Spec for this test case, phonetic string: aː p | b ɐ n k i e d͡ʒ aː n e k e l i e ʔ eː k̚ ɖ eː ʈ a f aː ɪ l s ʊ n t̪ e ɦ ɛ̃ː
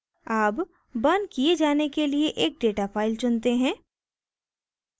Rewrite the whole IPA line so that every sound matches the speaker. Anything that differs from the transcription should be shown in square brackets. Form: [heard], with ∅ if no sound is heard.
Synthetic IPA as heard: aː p | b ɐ n k i e d͡ʒ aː n e k e l i e ʔ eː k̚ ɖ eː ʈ a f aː ɪ l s ʊ n t̪ e ɦ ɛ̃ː